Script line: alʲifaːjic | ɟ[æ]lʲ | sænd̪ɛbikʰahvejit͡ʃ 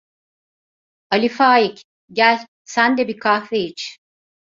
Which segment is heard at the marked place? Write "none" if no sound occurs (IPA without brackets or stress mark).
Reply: æ